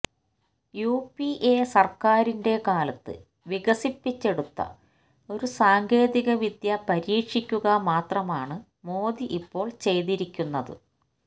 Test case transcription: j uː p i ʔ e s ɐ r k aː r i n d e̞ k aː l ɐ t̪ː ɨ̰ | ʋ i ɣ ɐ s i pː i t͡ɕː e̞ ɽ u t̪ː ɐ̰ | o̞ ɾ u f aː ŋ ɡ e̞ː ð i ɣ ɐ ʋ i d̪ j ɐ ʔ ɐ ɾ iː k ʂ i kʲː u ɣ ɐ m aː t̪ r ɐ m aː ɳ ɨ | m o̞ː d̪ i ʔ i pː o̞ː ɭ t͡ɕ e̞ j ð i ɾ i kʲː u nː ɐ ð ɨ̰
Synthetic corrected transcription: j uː p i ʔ e s ɐ r k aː ɾ i n d e̞ k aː l ɐ t̪ː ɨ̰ | ʋ i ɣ ɐ s i pː i t͡ɕː e̞ ɽ u t̪ː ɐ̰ | o̞ ɾ u s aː ŋ ɡ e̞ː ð i ɣ ɐ ʋ i d̪ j ɐ p ɐ ɾ iː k ʂ i kʲː u ɣ ɐ m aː t̪ r ɐ m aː ɳ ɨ | m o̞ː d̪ i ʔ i pː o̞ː ɭ t͡ɕ e̞ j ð i ɾ i kʲː u nː ɐ ð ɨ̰

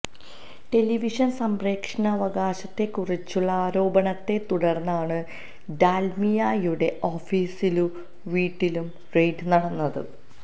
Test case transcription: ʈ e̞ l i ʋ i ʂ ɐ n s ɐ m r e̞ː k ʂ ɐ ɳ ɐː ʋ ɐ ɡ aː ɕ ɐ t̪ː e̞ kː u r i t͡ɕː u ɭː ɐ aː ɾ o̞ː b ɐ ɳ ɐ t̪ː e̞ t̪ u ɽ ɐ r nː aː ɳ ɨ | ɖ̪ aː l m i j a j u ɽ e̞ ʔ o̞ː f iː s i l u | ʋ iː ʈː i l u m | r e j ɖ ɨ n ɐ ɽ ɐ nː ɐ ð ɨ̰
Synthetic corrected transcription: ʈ e̞ l i ʋ i ʂ ɐ n s ɐ m r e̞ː k ʂ ɐ ɳ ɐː ʋ ɐ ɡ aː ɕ ɐ t̪ː e̞ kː u r i t͡ɕː u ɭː ɐ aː ɾ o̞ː b ɐ ɳ ɐ t̪ː e̞ t̪ u ɽ ɐ r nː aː ɳ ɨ | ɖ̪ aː l m i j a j u ɽ e̞ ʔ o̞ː f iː s i l u | ʋ iː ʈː i l u m | r e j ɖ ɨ n ɐ ɽ ɐ nː ɐ ð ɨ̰

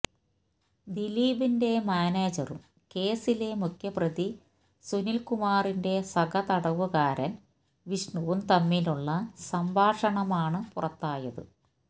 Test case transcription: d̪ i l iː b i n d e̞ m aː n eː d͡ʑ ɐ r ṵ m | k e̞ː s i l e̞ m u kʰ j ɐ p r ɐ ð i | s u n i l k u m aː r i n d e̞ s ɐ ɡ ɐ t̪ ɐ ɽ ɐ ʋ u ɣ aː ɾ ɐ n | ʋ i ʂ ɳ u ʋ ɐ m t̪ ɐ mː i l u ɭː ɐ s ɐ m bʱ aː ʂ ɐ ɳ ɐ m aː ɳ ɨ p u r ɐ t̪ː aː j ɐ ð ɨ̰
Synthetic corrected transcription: d̪ i l iː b i n d e̞ m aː n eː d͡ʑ ɐ r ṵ m | k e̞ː s i l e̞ m u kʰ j ɐ p r ɐ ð i | s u n i l k u m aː r i n d e̞ s ɐ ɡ ɐ t̪ ɐ ɽ ɐ ʋ u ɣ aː ɾ ɐ n | ʋ i ʂ ɳ u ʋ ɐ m t̪ ɐ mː i l u ɭː ɐ s ɐ m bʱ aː ʂ ɐ ɳ ɐ m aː ɳ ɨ p u r ɐ t̪ː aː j ɐ ð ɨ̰

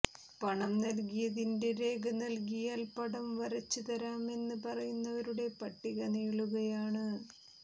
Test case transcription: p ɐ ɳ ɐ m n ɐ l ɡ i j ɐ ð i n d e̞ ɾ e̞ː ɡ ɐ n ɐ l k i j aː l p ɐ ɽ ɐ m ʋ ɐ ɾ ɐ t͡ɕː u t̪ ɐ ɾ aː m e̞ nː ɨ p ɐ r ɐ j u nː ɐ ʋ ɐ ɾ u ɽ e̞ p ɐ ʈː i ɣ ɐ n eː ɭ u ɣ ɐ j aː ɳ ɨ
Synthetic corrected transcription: p ɐ ɳ ɐ m n ɐ l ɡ i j ɐ ð i n d e̞ ɾ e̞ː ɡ ɐ n ɐ l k i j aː l p ɐ ɽ ɐ m ʋ ɐ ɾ ɐ t͡ɕː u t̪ ɐ ɾ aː m e̞ nː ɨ p ɐ r ɐ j u nː ɐ ʋ ɐ ɾ u ɽ e̞ p ɐ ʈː i ɣ ɐ n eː ɭ u ɣ ɐ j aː ɳ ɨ

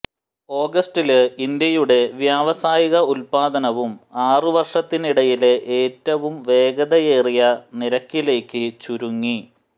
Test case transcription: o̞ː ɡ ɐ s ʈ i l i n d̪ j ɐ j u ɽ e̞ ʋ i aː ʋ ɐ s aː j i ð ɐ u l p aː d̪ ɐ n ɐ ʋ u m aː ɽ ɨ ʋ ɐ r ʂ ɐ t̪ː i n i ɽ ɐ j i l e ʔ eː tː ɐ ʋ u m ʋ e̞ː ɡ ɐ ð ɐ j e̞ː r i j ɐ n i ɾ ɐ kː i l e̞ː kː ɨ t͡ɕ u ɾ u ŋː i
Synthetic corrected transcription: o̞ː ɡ ɐ s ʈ i l i n d̪ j ɐ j u ɽ e̞ ʋ j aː ʋ ɐ s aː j i ɣ ɐ u l p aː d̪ ɐ n ɐ ʋ u m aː r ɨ ʋ ɐ r ʂ ɐ t̪ː i n i ɽ ɐ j i l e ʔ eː tː ɐ ʋ u m ʋ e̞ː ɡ ɐ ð ɐ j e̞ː r i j ɐ n i ɾ ɐ kː i l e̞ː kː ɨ t͡ɕ u ɾ u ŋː i

